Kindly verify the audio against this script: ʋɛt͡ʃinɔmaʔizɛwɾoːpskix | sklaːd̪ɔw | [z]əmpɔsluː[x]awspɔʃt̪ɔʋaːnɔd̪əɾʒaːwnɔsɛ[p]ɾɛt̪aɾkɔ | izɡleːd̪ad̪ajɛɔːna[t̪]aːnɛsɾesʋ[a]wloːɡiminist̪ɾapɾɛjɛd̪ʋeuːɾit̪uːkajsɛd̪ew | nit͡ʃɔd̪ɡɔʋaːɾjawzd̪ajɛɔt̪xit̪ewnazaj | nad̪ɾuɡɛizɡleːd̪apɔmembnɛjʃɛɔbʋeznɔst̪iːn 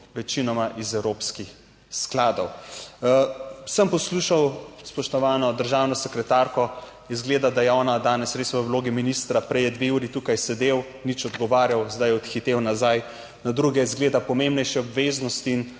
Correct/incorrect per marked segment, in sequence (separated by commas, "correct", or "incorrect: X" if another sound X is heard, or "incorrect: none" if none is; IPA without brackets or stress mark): incorrect: s, incorrect: ʃ, incorrect: k, incorrect: d̪, incorrect: ə